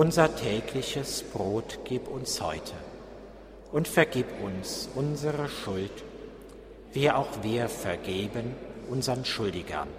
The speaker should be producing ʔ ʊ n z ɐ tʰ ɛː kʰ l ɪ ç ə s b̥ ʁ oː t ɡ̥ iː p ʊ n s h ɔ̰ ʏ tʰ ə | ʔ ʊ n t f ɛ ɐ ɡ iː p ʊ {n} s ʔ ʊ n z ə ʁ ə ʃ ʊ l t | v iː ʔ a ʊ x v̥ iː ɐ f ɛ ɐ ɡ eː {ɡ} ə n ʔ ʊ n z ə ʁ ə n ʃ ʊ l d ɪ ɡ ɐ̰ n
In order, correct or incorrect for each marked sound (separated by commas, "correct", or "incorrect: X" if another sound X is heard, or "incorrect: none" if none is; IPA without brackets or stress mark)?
correct, incorrect: b